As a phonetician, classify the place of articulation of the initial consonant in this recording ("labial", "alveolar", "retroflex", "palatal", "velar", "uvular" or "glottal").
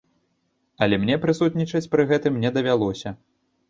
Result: alveolar